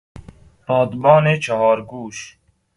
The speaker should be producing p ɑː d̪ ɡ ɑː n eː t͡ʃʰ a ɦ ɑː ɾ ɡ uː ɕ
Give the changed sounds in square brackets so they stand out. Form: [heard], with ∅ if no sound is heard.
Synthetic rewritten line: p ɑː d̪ [b] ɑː n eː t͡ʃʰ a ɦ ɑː ɾ ɡ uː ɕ